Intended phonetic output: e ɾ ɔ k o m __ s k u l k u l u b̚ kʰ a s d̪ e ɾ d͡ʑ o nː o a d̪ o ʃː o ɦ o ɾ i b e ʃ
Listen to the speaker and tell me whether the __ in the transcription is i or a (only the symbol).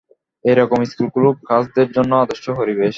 i